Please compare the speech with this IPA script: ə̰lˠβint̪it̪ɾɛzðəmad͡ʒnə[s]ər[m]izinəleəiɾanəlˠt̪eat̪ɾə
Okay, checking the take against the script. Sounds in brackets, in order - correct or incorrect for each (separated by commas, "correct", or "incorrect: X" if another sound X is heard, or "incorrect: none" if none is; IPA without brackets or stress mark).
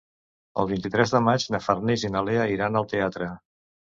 incorrect: f, incorrect: n